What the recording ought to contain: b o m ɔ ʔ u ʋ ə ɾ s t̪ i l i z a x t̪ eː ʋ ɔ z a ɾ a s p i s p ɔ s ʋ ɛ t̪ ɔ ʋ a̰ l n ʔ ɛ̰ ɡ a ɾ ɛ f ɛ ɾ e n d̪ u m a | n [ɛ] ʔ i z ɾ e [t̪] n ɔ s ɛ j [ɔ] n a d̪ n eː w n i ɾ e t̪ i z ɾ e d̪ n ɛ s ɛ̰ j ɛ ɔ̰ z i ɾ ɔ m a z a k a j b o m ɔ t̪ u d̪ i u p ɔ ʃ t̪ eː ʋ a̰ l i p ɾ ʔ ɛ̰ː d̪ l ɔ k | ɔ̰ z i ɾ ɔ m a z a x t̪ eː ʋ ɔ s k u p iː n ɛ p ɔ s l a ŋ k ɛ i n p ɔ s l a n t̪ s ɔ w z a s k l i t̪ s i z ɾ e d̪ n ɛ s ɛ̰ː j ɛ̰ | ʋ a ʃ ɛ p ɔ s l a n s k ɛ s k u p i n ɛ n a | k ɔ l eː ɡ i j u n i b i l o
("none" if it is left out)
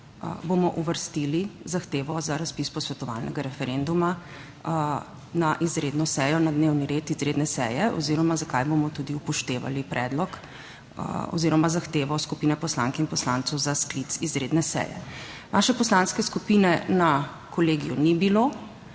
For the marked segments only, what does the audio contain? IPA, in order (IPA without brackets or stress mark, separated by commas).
a, d̪, ɔ